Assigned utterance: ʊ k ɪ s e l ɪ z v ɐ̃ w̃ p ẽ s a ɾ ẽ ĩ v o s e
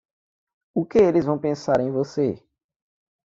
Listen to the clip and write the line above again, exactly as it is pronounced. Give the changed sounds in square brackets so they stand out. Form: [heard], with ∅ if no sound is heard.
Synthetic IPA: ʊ k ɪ [∅] e l ɪ z v ɐ̃ w̃ p ẽ s a ɾ ẽ [j̃] v o s e